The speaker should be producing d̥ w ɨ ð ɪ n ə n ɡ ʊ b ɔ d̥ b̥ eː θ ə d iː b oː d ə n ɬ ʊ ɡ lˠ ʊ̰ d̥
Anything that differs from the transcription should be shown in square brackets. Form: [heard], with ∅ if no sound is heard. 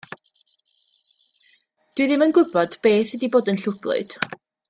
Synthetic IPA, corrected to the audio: d̥ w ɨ ð ɪ [m] ə n ɡ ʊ b ɔ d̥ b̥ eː θ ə d [i] b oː d ə n ɬ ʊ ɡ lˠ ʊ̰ d̥